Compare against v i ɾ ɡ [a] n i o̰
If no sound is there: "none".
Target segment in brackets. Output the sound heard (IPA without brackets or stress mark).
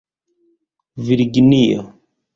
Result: i